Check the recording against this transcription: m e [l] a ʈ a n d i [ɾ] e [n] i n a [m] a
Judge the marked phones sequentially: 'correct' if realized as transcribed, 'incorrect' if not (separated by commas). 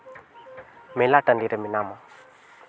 correct, correct, incorrect, correct